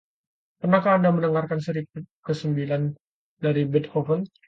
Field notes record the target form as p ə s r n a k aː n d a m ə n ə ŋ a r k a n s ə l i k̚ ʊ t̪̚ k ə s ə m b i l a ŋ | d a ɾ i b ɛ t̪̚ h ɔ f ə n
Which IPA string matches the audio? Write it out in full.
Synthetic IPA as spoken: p ə r n a k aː n d a m ə n ə ŋ a r k a n s ə ɾ i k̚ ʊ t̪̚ k ə s ə m b i l a n | d a ɾ i b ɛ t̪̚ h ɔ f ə n

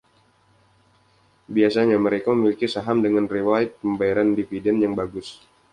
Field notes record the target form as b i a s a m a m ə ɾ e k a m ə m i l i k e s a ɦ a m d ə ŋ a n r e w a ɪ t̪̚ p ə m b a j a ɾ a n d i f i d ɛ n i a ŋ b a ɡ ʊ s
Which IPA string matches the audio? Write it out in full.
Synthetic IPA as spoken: b i a s a ɲ a m ə ɾ e k a m ə m i l i k i s a ɦ a m d ə ŋ a n r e w a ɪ t̪̚ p ə m b a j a ɾ a n d i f i d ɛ n j a ŋ b a ɡ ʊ s

